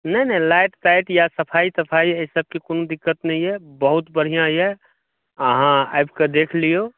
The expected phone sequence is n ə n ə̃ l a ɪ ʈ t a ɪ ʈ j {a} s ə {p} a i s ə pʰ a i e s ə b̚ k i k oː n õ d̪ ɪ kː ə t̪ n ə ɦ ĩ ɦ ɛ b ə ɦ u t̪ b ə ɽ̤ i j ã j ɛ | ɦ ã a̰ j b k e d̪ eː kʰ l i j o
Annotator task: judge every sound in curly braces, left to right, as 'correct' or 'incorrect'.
correct, incorrect

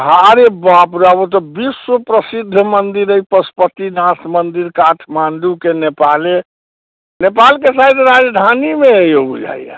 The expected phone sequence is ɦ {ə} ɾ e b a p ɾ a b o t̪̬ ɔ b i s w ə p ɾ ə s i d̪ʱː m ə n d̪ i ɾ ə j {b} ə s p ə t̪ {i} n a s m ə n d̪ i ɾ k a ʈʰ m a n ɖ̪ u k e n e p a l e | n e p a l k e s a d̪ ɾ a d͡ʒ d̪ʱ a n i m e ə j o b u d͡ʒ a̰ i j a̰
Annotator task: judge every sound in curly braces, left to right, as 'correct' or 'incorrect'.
incorrect, incorrect, correct

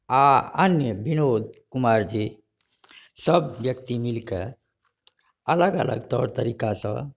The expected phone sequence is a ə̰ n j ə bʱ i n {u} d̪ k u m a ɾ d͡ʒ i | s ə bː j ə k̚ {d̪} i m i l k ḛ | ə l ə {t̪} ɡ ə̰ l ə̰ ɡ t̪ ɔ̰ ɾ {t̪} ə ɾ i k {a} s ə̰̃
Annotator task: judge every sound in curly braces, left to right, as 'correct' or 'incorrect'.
incorrect, incorrect, incorrect, correct, correct

